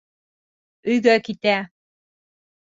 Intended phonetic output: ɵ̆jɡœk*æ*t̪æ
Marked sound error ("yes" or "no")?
yes